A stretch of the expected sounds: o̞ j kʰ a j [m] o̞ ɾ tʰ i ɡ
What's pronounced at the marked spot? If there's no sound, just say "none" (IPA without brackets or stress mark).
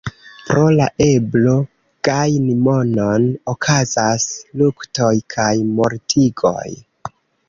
m